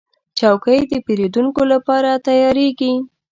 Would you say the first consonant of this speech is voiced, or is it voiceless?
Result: voiceless